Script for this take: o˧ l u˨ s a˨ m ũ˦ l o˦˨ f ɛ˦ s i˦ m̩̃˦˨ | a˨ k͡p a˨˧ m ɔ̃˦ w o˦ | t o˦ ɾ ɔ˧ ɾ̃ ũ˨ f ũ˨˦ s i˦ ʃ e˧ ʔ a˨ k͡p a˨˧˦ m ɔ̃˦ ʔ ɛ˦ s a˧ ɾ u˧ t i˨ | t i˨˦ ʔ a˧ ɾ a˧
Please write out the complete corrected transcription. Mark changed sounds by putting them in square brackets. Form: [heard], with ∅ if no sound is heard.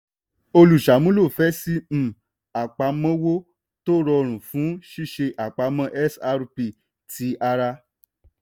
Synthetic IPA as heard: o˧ l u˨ [ʃ] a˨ m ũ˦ l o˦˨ f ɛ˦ s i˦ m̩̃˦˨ | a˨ k͡p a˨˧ m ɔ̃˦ w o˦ | t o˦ ɾ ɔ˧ ɾ̃ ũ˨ f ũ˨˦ [ʃ] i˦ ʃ e˧ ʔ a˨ k͡p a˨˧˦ m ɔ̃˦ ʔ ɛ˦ s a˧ ɾ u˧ [p] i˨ | t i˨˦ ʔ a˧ ɾ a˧